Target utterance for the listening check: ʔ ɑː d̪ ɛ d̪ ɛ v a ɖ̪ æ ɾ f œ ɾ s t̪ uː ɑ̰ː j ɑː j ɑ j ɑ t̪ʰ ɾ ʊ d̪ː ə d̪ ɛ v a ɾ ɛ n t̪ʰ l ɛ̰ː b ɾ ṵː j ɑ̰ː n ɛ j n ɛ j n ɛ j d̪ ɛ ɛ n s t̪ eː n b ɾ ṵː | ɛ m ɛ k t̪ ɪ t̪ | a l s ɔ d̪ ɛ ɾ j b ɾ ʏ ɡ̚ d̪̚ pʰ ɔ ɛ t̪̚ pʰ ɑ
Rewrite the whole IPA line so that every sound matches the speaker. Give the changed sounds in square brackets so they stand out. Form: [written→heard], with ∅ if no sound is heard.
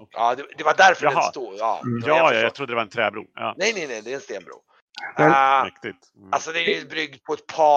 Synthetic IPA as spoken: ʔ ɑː d̪ ɛ d̪ ɛ v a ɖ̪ æ ɾ f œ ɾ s t̪ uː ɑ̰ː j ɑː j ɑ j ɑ t̪ʰ ɾ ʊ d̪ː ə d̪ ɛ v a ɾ ɛ n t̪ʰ [l→ɾ] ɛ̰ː b ɾ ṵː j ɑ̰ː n ɛ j n ɛ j n ɛ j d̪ ɛ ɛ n s t̪ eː n b ɾ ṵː | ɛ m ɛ k t̪ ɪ t̪ | a l s ɔ d̪ ɛ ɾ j b ɾ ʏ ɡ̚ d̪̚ pʰ ɔ ɛ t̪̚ pʰ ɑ